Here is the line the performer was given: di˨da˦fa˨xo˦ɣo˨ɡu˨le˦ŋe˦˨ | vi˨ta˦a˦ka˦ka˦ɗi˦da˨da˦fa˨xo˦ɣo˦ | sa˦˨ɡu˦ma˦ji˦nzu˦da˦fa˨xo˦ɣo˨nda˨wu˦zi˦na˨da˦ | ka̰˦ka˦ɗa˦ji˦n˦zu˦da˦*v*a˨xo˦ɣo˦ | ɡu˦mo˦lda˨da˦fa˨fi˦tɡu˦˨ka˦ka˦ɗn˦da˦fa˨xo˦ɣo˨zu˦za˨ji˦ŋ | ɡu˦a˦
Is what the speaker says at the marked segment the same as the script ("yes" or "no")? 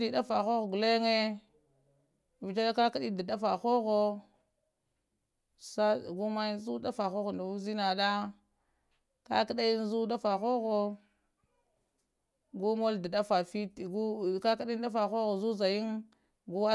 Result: no